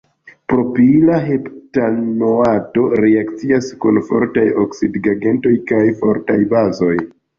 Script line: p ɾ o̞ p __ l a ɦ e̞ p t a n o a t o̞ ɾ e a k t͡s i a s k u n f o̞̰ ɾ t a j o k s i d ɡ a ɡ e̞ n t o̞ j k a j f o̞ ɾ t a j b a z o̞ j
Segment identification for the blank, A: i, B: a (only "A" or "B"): A